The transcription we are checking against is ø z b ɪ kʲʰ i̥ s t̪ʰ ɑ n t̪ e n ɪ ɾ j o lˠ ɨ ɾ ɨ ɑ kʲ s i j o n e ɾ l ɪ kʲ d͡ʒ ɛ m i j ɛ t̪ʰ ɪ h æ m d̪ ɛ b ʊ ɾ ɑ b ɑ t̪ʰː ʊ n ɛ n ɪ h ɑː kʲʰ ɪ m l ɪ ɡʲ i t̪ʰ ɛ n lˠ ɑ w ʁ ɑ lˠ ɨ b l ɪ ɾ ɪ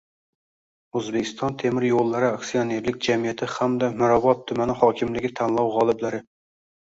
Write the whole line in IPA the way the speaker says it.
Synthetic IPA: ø z b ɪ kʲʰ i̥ s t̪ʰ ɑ n t̪ʰ e m ɪ ɾ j o lˠː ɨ ɾ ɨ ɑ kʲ s i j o n e ɾ l ɪ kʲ d͡ʒ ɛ m i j ɛ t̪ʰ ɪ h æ m d̪ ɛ m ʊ ɾ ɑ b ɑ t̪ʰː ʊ m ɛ n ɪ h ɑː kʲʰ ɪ m l ɪ ɡʲ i t̪ʰ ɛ n lˠ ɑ w ʁ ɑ lˠ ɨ b l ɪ ɾ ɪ